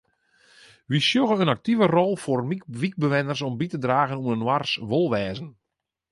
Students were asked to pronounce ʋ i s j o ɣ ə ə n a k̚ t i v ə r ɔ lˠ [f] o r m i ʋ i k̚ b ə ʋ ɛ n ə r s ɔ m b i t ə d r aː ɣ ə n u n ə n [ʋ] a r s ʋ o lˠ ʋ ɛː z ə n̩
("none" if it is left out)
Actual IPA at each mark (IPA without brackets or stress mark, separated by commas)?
f, w